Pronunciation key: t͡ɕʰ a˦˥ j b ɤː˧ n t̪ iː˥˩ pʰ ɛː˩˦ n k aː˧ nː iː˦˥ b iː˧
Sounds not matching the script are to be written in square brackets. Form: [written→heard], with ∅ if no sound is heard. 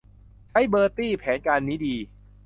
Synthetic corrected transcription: t͡ɕʰ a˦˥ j b ɤː˧ [n→∅] t̪ iː˥˩ pʰ ɛː˩˦ n k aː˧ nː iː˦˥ [b→d] iː˧